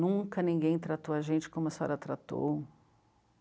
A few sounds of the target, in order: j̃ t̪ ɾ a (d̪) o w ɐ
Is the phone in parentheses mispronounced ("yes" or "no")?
yes